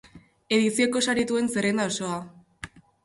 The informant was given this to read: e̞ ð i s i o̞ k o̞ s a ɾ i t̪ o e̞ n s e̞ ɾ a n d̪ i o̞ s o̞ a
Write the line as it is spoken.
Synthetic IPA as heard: e̞ ð i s i o̞ k o̞ s a ɾ i t̪ u e̞ n s e̞ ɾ e n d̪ a o̞ s o̞ a